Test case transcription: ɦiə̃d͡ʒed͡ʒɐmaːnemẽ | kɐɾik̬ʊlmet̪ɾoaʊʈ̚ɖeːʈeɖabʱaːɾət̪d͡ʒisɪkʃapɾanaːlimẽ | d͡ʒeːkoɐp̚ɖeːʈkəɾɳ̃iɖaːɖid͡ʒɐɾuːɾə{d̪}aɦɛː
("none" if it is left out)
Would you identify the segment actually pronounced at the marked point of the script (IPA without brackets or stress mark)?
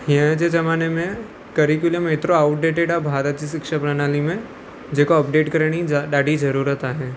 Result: t̪